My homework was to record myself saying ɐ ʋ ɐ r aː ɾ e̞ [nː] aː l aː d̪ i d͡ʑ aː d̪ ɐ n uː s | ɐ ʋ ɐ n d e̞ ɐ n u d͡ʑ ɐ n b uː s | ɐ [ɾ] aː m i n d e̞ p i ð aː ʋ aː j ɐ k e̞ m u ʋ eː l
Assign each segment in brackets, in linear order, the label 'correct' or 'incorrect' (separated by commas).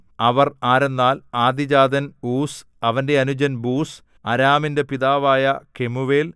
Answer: correct, correct